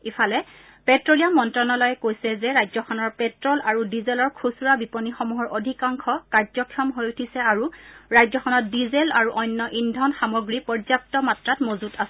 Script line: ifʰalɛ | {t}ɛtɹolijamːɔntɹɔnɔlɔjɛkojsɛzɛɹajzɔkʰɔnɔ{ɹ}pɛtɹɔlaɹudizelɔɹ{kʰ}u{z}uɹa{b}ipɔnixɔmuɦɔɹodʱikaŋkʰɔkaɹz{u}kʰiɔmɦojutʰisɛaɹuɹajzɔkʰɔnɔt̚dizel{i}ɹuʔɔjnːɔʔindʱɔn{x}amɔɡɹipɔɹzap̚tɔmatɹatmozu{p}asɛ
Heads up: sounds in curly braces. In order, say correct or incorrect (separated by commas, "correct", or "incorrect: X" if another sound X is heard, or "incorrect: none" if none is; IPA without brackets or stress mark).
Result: incorrect: p, correct, correct, incorrect: s, correct, incorrect: ɔ, incorrect: a, correct, incorrect: t